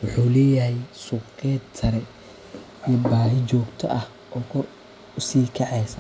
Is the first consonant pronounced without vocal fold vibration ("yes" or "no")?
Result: no